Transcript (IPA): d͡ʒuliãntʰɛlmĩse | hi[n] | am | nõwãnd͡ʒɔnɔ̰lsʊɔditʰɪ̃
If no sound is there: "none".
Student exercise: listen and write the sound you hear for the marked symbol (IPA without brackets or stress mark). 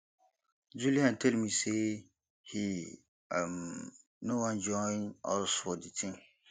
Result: none